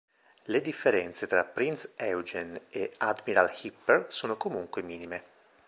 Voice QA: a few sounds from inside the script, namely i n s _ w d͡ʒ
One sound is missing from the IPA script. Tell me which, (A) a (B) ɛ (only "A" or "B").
B